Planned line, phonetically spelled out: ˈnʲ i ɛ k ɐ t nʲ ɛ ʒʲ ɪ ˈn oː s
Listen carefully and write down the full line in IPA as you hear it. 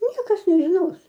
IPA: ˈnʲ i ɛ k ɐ s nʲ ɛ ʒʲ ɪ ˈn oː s